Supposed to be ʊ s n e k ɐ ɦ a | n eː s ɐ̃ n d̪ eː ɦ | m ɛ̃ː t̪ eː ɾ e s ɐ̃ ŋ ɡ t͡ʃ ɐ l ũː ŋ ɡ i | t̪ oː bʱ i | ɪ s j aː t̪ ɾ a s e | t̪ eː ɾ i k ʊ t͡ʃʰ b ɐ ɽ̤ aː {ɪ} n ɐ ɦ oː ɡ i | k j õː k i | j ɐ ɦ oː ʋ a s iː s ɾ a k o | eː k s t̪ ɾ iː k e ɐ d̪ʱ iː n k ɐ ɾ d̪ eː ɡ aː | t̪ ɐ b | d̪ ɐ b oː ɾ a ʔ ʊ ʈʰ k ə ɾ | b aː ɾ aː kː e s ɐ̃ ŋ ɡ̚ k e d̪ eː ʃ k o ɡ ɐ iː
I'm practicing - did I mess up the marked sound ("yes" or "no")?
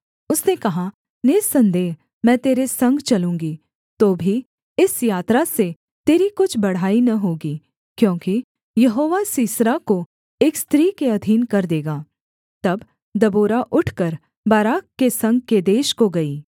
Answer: yes